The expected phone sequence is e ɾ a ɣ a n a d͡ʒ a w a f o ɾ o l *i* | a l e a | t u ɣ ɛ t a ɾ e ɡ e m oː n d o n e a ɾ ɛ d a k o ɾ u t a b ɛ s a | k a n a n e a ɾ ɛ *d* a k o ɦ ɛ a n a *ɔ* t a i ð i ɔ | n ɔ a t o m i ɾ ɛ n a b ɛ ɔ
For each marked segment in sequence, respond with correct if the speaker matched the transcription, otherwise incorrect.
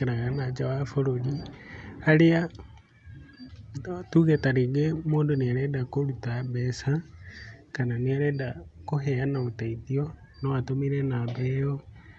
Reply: correct, correct, incorrect: o

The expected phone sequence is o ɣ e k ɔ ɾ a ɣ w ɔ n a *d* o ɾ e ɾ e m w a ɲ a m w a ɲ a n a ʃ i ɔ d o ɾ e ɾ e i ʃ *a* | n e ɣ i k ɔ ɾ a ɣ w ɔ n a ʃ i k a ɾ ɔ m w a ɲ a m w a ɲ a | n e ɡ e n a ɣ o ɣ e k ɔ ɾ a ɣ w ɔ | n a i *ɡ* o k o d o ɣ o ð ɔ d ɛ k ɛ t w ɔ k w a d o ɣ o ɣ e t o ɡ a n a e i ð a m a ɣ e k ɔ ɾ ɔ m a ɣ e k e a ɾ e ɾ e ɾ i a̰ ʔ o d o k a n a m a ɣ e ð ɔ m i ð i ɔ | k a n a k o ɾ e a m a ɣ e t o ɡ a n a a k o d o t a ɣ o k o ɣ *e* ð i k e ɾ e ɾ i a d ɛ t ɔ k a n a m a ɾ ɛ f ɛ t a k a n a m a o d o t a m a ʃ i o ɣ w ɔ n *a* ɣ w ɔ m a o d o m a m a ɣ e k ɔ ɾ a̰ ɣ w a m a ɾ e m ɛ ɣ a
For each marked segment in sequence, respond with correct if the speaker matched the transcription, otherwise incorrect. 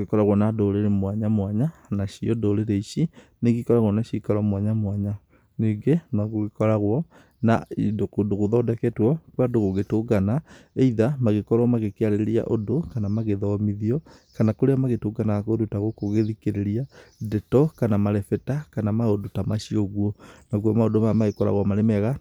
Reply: correct, incorrect: i, incorrect: d, correct, correct

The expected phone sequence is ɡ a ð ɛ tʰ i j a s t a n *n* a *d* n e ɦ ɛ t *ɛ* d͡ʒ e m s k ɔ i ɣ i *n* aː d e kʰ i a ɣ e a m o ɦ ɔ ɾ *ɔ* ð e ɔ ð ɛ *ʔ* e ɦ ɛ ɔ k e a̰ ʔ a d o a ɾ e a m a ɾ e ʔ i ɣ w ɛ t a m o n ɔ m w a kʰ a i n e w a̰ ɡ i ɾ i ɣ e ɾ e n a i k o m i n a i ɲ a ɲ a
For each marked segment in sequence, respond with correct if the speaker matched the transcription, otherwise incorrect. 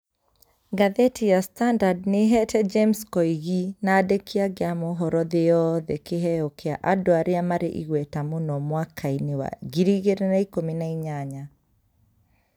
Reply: incorrect: d, correct, correct, correct, correct, incorrect: k

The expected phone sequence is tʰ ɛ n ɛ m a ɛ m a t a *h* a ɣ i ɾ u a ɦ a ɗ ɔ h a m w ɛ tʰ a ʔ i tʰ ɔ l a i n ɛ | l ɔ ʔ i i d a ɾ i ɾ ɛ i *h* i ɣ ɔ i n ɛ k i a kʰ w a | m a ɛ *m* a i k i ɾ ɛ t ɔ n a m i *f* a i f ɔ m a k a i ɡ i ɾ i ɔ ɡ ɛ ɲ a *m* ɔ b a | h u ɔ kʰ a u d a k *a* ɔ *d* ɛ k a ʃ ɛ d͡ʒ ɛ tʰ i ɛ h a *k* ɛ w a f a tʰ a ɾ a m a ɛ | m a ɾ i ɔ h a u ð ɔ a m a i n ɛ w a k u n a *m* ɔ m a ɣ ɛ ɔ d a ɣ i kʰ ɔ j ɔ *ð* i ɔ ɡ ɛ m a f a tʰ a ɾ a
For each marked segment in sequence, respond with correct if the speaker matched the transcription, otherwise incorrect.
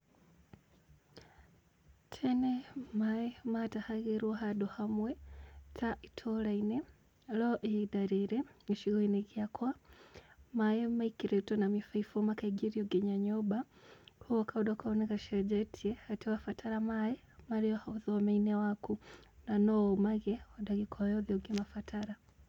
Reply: correct, incorrect: ʃ, correct, correct, incorrect: ɲ, correct, incorrect: n, incorrect: t, incorrect: n, correct

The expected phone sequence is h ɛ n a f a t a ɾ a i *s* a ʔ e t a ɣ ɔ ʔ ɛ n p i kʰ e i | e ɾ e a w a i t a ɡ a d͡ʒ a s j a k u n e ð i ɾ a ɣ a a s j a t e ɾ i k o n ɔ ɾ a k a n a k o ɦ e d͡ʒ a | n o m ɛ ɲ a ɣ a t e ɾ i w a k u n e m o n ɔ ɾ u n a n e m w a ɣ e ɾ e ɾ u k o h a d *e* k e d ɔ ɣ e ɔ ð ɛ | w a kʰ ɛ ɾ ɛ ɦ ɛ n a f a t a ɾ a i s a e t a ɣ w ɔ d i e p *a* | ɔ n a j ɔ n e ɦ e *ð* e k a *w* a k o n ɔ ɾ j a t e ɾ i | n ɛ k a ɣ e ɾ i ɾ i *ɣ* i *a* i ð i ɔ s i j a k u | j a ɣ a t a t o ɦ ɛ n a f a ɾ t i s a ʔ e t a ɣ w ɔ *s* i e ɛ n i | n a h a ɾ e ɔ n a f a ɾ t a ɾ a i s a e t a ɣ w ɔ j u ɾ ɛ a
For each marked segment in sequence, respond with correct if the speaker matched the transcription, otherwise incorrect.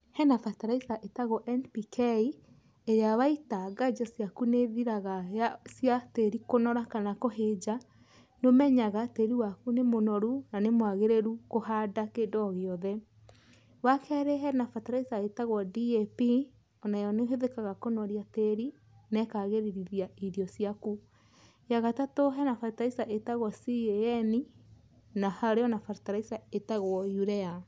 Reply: correct, incorrect: a, incorrect: i, correct, incorrect: ɣ, incorrect: ð, correct, correct

